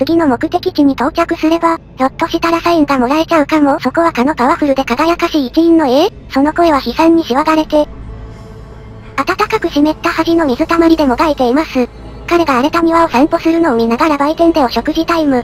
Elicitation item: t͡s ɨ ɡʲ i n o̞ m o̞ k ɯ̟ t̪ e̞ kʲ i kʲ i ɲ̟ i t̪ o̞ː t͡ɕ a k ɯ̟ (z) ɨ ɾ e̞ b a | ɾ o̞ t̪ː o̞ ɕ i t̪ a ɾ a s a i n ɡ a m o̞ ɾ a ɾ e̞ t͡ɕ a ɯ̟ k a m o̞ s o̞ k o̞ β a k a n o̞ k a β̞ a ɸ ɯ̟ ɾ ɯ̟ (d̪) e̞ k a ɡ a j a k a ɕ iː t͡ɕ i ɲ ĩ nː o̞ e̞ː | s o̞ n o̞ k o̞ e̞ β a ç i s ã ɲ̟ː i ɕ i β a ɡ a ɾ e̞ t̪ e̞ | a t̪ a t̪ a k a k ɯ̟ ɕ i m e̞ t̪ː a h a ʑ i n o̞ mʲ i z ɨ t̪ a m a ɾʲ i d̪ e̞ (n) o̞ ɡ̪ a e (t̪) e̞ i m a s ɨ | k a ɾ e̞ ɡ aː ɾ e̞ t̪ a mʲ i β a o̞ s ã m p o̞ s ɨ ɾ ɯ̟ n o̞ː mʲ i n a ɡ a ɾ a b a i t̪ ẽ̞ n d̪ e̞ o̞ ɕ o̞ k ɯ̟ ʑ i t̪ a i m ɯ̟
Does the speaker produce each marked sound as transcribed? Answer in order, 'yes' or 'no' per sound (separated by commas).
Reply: no, yes, no, yes